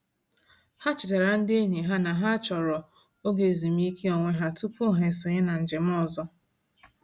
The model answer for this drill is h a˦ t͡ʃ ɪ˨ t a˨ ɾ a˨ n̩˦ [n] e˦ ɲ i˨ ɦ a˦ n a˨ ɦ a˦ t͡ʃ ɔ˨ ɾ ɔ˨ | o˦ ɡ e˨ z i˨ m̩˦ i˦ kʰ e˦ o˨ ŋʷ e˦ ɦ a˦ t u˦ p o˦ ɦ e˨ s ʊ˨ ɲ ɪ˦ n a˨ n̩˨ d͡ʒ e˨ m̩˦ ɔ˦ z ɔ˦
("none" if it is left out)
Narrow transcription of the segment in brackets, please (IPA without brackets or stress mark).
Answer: d